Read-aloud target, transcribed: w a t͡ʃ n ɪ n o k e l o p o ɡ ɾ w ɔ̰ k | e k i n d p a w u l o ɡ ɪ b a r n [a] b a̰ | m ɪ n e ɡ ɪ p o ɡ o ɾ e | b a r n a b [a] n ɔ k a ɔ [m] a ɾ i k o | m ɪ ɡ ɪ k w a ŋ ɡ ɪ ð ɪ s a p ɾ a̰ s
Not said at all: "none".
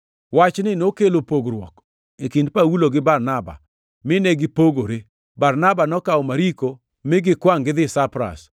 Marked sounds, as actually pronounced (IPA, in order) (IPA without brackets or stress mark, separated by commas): a, a, m